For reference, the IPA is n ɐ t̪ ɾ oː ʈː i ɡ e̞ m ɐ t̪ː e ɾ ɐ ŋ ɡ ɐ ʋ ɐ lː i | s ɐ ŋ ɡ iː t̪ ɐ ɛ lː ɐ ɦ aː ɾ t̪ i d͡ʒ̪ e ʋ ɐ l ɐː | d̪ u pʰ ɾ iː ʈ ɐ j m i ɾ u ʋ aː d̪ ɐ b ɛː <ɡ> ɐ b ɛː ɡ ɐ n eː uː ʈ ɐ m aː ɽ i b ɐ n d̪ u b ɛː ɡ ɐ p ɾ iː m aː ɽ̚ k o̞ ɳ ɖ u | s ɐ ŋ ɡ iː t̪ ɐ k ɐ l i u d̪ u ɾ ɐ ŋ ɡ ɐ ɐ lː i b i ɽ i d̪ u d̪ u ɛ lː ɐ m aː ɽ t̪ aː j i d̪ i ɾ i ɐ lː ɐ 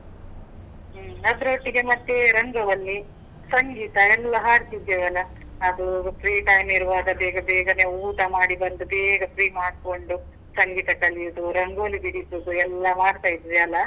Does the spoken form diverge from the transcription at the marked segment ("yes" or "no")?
no